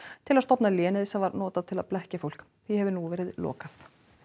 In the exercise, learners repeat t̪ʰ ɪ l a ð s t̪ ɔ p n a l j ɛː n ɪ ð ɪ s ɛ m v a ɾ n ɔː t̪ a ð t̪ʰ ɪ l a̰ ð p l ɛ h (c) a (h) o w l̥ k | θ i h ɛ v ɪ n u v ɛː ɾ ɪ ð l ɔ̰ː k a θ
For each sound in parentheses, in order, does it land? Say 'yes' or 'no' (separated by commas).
yes, no